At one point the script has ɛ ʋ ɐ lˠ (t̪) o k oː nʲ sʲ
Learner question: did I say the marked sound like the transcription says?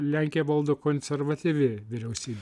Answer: no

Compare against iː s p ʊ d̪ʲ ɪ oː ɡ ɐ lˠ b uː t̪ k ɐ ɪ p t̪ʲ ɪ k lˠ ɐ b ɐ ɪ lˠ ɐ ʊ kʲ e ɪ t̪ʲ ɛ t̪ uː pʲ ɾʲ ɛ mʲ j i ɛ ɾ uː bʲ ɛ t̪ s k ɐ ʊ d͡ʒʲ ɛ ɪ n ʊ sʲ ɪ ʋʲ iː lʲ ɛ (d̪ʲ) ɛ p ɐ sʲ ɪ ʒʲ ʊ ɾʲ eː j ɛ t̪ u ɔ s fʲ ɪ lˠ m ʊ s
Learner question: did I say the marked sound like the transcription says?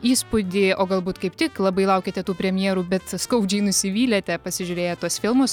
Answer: no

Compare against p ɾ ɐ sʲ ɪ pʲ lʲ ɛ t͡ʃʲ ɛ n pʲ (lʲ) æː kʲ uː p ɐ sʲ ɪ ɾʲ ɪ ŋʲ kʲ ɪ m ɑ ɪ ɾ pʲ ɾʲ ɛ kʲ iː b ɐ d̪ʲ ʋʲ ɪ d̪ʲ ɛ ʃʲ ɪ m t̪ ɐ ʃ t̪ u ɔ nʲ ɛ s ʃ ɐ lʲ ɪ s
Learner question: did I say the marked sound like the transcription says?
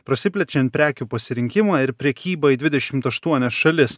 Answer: no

